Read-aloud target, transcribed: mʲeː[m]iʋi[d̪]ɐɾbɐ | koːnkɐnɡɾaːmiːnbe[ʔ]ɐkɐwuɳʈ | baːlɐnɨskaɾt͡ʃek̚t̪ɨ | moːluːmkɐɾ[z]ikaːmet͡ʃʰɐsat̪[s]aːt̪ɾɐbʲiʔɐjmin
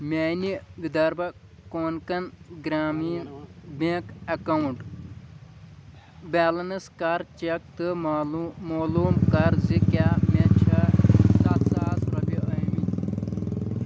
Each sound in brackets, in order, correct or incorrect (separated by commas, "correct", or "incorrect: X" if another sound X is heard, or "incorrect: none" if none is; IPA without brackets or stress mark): incorrect: n, correct, incorrect: k, correct, correct